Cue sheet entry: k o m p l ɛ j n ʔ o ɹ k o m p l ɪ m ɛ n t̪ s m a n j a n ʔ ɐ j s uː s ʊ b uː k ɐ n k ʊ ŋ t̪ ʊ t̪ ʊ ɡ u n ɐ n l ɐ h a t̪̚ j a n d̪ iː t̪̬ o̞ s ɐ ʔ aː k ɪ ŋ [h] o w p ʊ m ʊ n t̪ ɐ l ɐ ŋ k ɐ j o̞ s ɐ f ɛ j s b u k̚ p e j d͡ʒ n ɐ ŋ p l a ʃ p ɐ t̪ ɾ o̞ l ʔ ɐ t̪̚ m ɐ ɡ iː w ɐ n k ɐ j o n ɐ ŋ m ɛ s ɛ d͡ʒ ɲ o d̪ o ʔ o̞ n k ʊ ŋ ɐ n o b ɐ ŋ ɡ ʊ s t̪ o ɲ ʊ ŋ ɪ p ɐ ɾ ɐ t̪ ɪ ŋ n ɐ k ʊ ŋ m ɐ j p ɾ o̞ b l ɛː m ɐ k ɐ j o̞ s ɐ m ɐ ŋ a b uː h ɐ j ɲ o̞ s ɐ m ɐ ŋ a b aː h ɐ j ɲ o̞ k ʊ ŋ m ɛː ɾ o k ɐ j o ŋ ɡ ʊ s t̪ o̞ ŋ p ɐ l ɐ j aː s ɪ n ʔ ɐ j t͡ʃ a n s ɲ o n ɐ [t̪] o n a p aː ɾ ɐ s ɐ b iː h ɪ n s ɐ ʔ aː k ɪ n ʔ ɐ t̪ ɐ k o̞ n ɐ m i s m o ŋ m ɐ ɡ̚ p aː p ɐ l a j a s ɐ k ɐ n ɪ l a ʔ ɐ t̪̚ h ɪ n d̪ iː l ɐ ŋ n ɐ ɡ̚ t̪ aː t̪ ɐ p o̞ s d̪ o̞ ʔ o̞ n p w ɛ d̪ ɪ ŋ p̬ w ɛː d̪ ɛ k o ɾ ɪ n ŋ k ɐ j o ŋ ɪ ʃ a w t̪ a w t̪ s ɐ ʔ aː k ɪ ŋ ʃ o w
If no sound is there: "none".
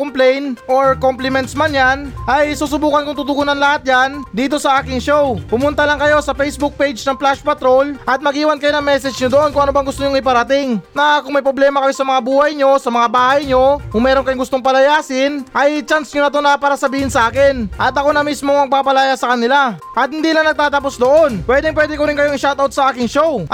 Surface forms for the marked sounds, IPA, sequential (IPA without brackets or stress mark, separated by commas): ʃ, t̪